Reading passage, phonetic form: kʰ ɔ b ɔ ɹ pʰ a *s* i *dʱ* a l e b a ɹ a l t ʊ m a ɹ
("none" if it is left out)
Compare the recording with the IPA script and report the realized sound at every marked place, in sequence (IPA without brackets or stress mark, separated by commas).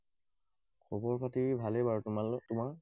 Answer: t, bʱ